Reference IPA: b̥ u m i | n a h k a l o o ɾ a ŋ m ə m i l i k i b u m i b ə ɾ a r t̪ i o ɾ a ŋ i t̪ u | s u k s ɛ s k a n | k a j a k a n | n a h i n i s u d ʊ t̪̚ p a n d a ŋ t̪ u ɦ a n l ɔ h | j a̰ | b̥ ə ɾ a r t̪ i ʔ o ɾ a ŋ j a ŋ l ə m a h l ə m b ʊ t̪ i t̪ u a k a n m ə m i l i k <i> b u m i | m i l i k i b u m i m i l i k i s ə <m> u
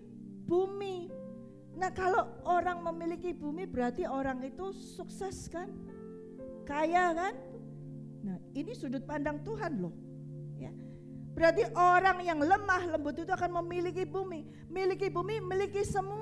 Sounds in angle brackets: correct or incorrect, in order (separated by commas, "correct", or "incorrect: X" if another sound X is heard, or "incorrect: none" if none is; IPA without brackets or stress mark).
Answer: correct, correct